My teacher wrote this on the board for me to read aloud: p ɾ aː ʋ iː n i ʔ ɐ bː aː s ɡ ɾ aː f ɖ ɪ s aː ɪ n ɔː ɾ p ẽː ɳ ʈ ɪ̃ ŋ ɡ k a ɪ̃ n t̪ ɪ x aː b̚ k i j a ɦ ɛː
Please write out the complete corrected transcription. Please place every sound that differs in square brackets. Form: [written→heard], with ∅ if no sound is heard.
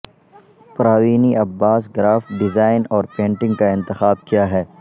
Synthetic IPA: p ɾ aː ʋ iː n i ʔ ɐ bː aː s ɡ ɾ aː f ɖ ɪ [s→z] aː ɪ n ɔː ɾ p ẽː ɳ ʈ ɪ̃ ŋ ɡ k a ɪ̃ n t̪ ɪ x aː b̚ k i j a ɦ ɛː